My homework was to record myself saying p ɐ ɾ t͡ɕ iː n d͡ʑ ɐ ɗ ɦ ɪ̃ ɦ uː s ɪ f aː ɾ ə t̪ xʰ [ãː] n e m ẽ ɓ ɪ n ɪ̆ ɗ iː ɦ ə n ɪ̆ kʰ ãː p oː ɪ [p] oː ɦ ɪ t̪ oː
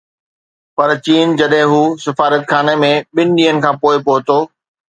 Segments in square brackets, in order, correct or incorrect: incorrect, correct

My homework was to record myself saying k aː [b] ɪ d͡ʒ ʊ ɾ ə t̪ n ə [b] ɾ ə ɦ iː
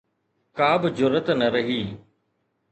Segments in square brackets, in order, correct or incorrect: correct, incorrect

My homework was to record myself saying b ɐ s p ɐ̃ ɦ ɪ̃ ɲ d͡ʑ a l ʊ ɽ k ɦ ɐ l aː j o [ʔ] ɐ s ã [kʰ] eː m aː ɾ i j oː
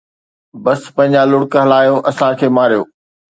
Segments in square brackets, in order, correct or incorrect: correct, correct

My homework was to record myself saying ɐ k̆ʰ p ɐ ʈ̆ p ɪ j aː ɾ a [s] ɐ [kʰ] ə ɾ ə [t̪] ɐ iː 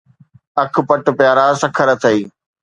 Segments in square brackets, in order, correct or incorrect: correct, correct, incorrect

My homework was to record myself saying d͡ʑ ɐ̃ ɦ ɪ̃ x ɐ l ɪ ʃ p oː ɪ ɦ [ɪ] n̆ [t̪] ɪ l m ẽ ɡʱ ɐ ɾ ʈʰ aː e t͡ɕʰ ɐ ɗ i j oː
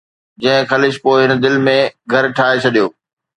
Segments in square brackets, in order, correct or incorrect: correct, incorrect

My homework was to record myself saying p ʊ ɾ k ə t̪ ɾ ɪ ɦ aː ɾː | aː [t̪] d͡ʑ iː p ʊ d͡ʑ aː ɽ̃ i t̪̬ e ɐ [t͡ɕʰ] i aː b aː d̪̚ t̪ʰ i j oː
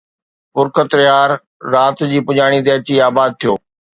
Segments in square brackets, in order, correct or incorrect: correct, incorrect

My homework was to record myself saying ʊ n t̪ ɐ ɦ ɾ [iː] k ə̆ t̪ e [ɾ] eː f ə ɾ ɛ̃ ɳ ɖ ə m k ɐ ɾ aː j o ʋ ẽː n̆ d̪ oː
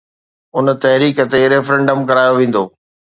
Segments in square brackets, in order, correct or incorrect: correct, correct

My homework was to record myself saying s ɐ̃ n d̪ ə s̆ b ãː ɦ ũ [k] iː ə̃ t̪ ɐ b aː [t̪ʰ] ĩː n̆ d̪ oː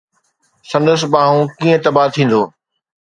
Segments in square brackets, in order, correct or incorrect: correct, correct

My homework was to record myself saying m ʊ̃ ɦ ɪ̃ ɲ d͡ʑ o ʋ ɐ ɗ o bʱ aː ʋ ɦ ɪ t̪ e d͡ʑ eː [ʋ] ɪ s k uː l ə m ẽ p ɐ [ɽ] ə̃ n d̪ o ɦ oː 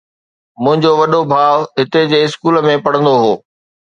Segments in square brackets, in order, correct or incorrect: incorrect, correct

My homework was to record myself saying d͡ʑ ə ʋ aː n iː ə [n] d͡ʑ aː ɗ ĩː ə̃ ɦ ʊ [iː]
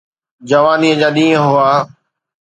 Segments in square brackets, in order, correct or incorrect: incorrect, incorrect

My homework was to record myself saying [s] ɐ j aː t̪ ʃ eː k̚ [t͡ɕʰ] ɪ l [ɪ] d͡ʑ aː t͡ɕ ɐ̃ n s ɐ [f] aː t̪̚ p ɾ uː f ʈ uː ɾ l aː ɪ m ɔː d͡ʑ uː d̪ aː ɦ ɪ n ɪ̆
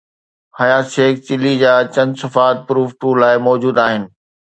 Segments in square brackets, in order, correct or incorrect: incorrect, incorrect, incorrect, correct

